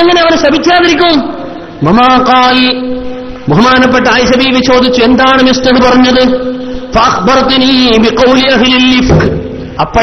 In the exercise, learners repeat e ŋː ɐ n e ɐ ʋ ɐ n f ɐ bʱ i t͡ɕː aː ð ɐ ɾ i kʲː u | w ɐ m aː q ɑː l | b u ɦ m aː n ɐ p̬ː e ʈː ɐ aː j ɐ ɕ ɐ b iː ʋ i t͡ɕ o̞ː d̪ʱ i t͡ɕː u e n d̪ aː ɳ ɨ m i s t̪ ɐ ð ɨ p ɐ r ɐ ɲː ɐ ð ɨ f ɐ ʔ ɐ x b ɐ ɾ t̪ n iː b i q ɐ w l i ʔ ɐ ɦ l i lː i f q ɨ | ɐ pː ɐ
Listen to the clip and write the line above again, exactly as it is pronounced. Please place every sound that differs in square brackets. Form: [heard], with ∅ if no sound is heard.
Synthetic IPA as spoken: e ŋː ɐ n e ɐ ʋ ɐ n [ɕ] ɐ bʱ i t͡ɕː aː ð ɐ ɾ i kʲː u | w ɐ m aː q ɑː l | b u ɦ m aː n ɐ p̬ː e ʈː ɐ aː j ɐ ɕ ɐ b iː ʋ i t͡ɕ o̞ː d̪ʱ i t͡ɕː u e n d̪ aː ɳ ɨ m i s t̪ ɐ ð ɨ p ɐ r ɐ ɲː ɐ ð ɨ f ɐ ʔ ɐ x b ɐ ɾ t̪ n iː b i q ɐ w l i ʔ ɐ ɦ l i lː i f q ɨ | ɐ pː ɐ

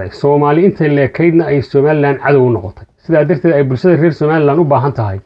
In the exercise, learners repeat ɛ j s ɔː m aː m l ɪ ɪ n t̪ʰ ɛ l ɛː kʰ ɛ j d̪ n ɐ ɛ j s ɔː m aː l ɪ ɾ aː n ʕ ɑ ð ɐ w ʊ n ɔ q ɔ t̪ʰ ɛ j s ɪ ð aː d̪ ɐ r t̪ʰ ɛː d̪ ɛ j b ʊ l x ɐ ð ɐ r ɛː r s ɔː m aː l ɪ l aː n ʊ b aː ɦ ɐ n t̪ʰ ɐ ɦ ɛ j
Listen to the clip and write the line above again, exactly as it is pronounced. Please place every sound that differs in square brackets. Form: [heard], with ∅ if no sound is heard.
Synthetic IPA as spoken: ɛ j s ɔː m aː [∅] l ɪ ɪ n t̪ʰ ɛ l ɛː kʰ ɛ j d̪ n ɐ ɛ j s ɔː m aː l ɪ [l] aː n ʕ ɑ ð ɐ w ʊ n ɔ q ɔ t̪ʰ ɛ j s ɪ ð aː d̪ ɐ r t̪ʰ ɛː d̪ ɛ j b ʊ l [ʃ] ɐ ð ɐ r ɛː r s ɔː m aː l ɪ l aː n ʊ b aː ɦ ɐ n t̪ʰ ɐ ɦ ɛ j

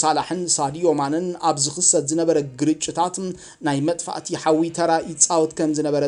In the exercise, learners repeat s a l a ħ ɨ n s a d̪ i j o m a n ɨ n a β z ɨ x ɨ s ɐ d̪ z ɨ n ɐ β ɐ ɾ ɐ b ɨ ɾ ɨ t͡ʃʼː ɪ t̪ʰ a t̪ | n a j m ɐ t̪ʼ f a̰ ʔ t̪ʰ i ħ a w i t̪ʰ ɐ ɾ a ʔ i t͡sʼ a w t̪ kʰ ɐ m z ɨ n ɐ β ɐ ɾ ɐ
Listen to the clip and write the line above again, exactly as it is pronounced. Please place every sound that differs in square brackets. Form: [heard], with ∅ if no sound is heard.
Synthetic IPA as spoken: s a l a ħ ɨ n s a d̪ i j o m a n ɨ n a β z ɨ x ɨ s ɐ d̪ z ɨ n ɐ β ɐ ɾ ɐ [ɡ] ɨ ɾ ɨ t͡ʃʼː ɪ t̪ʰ a t̪ | n a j m ɐ t̪ʼ f a̰ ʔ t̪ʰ i ħ a w i t̪ʰ ɐ ɾ a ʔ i t͡sʼ a w t̪ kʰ ɐ m z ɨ n ɐ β ɐ ɾ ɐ

